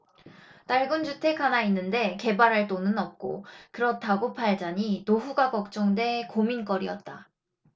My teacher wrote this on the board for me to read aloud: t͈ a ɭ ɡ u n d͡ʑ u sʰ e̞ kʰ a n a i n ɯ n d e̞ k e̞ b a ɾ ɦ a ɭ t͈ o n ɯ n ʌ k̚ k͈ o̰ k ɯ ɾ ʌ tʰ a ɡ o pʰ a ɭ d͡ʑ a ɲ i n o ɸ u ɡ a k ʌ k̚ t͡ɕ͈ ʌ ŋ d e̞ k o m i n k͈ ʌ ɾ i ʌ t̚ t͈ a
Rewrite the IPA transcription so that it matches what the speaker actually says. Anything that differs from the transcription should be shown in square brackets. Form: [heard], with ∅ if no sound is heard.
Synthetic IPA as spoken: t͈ a ɭ ɡ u n d͡ʑ u [tʰ] e̞ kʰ a n a i [nː] ɯ n d e̞ k e̞ b a ɾ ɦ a ɭ t͈ o n ɯ n ʌ [p̚] k͈ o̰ k ɯ ɾ ʌ tʰ a ɡ o pʰ a ɭ d͡ʑ a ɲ i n o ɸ u ɡ a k ʌ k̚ t͡ɕ͈ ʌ ŋ d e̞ k o m i n k͈ ʌ ɾ i ʌ t̚ t͈ a